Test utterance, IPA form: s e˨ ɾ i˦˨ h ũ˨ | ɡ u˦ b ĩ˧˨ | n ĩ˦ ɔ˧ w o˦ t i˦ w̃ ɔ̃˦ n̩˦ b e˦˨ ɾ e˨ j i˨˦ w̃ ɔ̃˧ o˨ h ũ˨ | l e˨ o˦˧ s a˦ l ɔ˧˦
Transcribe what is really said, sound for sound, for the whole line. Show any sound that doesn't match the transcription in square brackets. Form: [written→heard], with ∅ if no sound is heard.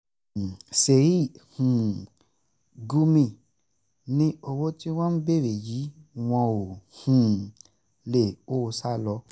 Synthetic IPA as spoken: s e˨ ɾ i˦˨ h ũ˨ | ɡ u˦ [b→m] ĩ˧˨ | n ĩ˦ [ɔ˧→o˧] w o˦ t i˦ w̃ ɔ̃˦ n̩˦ b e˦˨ ɾ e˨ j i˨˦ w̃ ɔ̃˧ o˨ h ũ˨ | l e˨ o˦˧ s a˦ l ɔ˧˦